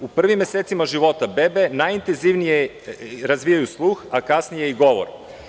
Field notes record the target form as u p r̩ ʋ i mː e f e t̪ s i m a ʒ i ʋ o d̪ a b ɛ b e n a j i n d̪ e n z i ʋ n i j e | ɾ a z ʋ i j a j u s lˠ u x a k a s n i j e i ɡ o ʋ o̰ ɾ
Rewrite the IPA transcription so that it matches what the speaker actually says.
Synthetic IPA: u p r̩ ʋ i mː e s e t̪ s i m a ʒ i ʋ o t̪ a b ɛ b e n a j i n t̪ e n z i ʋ n i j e | ɾ a z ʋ i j a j u s lˠ u x a k a s n i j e i ɡ o ʋ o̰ ɾ